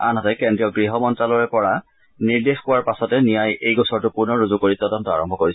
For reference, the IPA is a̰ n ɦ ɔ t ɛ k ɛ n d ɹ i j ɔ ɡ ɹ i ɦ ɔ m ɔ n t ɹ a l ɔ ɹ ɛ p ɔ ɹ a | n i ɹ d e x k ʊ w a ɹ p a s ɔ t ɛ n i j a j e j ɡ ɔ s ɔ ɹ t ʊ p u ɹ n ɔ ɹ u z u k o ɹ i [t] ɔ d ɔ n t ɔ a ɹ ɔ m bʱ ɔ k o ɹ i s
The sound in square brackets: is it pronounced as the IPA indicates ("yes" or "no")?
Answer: yes